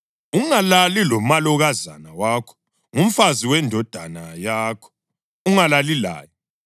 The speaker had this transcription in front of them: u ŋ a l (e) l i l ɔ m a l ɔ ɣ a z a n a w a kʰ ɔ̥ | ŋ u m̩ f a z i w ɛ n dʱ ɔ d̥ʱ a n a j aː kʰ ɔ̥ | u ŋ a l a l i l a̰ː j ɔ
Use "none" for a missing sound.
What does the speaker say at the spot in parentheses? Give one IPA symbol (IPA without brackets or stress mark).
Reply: a